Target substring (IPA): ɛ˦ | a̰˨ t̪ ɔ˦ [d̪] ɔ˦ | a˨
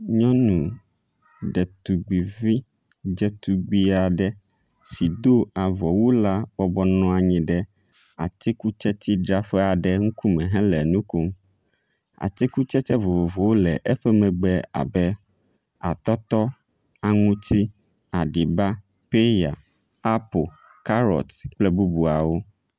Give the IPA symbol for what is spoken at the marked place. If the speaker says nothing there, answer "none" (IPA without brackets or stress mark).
t̪